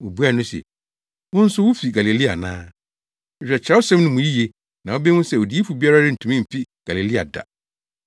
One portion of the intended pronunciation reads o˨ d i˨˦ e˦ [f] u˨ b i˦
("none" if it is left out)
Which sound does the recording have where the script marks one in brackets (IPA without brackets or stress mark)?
f